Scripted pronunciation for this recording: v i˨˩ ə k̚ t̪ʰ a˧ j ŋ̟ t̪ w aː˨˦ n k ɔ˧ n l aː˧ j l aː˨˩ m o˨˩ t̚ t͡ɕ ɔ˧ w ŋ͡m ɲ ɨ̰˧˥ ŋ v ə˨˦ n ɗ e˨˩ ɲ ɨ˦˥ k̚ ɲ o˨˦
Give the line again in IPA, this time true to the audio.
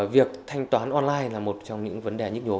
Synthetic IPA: v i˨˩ ə k̚ t̪ʰ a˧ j ŋ̟ t̪ w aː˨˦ n ʔ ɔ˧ n l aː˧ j l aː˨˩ m o˨˩ t̚ t͡ɕ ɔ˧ w ŋ͡m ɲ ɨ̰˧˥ ŋ v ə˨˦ n ɗ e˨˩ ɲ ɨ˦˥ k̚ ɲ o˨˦